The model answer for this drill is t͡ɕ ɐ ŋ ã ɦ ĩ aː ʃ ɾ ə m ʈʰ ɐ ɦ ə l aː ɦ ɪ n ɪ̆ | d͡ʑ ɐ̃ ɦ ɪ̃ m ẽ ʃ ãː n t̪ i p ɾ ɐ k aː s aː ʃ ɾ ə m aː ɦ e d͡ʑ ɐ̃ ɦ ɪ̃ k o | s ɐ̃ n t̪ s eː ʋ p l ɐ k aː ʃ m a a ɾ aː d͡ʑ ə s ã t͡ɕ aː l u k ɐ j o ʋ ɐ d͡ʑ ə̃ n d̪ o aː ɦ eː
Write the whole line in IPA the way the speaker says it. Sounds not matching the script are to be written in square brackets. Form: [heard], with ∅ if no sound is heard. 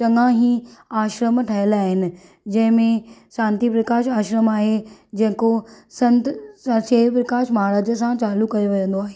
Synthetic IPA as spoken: t͡ɕ ɐ ŋ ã ɦ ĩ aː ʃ ɾ ə m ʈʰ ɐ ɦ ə l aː ɦ ɪ n ɪ̆ | d͡ʑ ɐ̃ ɦ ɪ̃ m ẽ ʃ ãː n t̪ i p ɾ ɐ k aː [ʃ] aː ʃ ɾ ə m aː ɦ e d͡ʑ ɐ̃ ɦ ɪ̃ k o | s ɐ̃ n t̪ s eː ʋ p [ɾ] ɐ k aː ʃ m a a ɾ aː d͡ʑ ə s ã t͡ɕ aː l u k ɐ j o ʋ ɐ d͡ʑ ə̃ n d̪ o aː ɦ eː

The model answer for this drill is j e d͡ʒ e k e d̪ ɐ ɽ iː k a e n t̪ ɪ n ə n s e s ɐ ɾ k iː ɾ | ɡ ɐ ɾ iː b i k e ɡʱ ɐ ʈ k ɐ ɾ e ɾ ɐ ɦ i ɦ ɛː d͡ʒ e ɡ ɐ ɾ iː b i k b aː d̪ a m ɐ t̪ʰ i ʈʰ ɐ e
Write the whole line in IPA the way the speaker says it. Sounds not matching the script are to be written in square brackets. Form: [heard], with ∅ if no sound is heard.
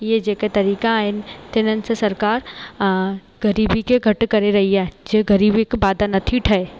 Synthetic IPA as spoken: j e d͡ʒ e k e [t̪] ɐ [ɾ] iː k a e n t̪ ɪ n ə n s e s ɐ ɾ k [aː] ɾ | ɡ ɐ ɾ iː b i k e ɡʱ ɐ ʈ k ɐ ɾ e ɾ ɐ ɦ i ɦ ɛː d͡ʒ e ɡ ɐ ɾ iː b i k b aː d̪ a [n] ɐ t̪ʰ i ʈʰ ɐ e

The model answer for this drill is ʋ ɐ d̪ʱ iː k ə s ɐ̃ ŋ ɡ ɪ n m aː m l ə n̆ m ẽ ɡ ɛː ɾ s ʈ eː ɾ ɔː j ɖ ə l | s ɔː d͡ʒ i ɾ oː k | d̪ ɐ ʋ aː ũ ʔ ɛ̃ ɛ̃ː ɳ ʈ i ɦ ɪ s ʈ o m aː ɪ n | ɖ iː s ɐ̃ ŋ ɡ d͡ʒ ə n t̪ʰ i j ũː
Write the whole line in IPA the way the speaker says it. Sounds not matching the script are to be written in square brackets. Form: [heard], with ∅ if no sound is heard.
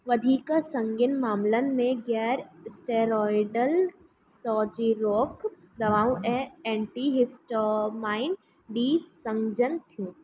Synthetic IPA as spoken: ʋ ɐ d̪ʱ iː k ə s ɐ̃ ŋ ɡ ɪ n m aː m l ə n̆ m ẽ ɡ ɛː ɾ s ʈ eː ɾ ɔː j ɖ ə l | s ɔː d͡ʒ i ɾ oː k | d̪ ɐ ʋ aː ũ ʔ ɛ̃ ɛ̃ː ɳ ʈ i ɦ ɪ s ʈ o m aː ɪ n | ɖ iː s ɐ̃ ŋ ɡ d͡ʒ ə n t̪ʰ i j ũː

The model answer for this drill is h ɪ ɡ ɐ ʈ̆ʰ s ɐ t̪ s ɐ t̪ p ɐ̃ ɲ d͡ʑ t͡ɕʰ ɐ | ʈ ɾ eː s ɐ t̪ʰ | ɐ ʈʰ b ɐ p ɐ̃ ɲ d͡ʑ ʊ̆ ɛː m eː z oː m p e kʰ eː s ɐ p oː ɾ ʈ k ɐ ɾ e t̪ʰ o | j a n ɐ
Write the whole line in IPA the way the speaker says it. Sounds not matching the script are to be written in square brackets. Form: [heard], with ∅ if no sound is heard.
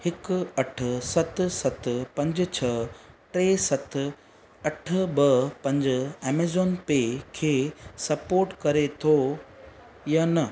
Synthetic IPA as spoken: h ɪ [k] ɐ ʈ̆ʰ s ɐ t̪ s ɐ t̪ p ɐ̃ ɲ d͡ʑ t͡ɕʰ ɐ | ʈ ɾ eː s ɐ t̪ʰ | ɐ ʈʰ b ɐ p ɐ̃ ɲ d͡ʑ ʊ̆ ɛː m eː z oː [n] p e kʰ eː s ɐ p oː ɾ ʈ k ɐ ɾ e t̪ʰ o | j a n ɐ

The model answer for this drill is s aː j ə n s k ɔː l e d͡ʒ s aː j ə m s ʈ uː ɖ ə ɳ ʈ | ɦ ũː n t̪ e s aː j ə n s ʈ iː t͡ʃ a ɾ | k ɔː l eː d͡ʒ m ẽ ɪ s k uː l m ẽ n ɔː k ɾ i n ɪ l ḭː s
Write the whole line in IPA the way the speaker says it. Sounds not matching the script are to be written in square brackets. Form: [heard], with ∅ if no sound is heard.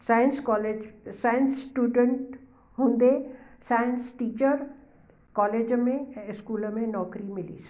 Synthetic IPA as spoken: s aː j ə n s k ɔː l e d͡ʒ s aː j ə [n] s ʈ uː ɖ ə ɳ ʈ | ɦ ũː n [d̪] e s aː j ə n s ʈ iː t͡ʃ [ə] ɾ | k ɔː l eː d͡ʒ m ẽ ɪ s k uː l m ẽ n ɔː k ɾ i [m] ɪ l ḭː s

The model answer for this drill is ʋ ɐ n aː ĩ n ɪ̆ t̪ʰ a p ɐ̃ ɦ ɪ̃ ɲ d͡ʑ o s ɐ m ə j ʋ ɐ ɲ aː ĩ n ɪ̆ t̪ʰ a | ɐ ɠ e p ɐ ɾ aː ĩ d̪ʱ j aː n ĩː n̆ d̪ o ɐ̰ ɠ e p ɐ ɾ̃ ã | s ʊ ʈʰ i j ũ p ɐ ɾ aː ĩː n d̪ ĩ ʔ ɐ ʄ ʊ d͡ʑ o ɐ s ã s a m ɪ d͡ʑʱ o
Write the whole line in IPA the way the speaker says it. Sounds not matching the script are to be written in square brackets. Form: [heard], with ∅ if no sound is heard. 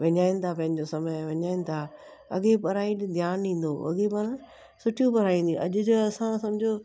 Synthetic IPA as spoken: ʋ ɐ [ɲ] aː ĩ n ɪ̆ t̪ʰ a p ɐ̃ ɦ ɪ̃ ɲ d͡ʑ o s ɐ m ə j ʋ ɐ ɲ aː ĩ n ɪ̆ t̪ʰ a | ɐ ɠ e p ɐ ɾ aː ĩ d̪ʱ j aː n ĩː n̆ d̪ o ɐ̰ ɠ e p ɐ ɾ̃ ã | s ʊ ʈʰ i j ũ p ɐ ɾ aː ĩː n d̪ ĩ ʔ ɐ ʄ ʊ d͡ʑ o ɐ s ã s [ɐ] m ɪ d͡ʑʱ o

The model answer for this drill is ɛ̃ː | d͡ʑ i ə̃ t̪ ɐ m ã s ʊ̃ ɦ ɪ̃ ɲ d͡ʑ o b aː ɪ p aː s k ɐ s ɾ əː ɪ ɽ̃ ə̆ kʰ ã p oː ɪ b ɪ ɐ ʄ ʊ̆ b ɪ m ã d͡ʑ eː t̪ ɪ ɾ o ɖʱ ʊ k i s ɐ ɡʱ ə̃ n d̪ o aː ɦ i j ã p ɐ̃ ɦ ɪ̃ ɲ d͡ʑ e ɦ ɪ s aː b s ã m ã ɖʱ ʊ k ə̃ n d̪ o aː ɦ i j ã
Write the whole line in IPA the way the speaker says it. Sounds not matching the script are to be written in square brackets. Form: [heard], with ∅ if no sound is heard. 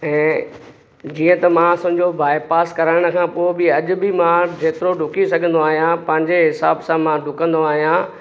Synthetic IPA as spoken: ɛ̃ː | d͡ʑ [iː] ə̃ t̪ ɐ m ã s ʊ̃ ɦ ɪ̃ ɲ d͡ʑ o b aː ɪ p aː s k ɐ [∅] ɾ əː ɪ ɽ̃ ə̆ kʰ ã p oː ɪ b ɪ ɐ ʄ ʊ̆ b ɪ m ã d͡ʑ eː t̪ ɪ ɾ o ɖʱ ʊ k i s ɐ ɡʱ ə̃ n d̪ o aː ɦ i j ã p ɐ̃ ɦ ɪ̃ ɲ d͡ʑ e ɦ ɪ s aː b s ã m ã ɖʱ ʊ k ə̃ n d̪ o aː ɦ i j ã

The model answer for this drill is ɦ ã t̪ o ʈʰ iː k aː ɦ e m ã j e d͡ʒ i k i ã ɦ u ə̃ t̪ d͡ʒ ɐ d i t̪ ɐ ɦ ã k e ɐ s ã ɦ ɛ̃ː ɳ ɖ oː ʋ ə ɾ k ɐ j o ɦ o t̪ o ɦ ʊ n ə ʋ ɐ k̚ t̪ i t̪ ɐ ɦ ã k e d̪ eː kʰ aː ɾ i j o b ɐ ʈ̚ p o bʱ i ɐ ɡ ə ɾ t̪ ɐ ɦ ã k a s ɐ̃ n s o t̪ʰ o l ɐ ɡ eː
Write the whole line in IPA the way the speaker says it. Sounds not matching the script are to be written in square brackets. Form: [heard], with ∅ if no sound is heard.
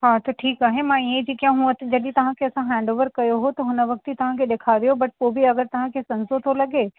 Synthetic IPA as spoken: ɦ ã t̪ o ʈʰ iː k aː ɦ e m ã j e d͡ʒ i k [j] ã ɦ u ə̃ t̪ d͡ʒ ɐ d i t̪ ɐ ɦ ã k e ɐ s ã ɦ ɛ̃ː ɳ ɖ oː ʋ ə ɾ k ɐ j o ɦ o t̪ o ɦ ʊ n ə ʋ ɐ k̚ t̪ i t̪ ɐ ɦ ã k e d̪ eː kʰ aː ɾ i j o b ɐ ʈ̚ p o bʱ i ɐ ɡ ə ɾ t̪ ɐ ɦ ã k [e] s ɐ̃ n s o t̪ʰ o l ɐ ɡ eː

